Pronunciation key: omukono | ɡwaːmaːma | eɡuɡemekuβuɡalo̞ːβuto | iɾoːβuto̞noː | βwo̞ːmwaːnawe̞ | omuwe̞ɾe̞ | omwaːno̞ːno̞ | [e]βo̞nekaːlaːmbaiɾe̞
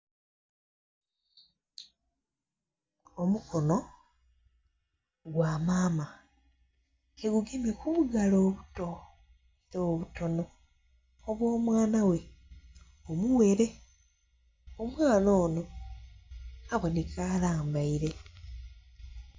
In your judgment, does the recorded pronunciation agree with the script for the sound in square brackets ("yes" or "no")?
no